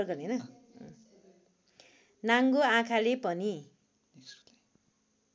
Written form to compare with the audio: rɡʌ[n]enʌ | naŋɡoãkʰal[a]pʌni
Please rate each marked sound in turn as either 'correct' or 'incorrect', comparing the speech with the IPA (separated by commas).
correct, incorrect